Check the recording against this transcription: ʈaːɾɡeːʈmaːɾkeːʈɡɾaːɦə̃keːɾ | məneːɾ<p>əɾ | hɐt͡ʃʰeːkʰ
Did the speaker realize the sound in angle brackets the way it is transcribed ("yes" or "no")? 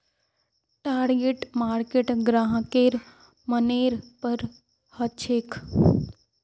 yes